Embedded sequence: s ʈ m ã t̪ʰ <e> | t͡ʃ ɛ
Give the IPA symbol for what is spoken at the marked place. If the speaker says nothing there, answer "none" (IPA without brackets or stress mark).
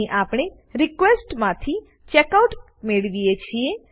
i